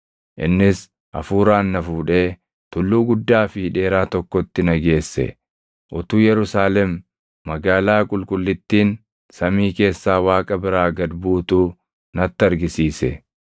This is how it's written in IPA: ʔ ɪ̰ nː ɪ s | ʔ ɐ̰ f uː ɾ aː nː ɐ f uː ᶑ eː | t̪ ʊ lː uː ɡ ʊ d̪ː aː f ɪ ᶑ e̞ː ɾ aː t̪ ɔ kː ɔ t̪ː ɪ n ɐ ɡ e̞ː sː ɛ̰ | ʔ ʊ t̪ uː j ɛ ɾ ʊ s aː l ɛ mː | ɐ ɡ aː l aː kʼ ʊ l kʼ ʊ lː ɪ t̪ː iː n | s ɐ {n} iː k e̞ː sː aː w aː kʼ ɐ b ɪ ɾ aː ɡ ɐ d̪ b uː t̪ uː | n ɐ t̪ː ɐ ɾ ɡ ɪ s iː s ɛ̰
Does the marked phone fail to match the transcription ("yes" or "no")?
yes